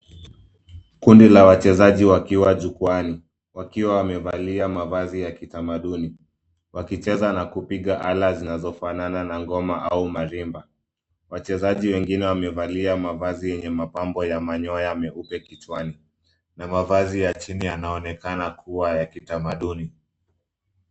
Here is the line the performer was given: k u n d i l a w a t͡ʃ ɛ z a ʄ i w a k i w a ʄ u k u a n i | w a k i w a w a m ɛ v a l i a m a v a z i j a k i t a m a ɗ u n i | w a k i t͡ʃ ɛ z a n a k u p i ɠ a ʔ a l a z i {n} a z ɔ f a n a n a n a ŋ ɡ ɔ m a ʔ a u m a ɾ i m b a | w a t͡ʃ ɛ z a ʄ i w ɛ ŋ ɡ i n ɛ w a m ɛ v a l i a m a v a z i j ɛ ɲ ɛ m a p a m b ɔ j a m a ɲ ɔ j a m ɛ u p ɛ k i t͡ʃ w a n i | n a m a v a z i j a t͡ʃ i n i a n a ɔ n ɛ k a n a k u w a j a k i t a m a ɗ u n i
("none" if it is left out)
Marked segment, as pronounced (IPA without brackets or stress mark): n